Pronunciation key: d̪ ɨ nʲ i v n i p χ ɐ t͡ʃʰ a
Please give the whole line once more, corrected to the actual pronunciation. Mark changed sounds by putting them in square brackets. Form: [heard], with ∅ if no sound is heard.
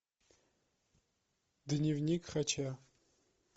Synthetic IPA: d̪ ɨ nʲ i v n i [k] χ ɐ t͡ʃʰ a